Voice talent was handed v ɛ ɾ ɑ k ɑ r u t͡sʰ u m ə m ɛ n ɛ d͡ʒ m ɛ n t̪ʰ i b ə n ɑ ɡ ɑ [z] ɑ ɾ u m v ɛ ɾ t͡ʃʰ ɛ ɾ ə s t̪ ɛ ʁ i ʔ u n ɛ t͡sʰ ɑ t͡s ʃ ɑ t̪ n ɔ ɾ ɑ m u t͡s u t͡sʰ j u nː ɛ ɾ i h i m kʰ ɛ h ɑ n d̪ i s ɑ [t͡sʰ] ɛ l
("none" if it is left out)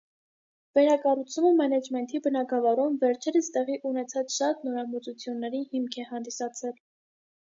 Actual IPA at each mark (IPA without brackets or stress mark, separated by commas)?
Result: v, t͡sʰ